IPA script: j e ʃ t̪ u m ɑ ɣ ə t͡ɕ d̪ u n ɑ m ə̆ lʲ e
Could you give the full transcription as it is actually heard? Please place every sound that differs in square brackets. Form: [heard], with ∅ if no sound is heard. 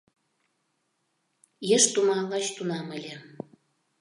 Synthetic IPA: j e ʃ t̪ u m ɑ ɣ [ɑ] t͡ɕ [t̪] u n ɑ m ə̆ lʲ e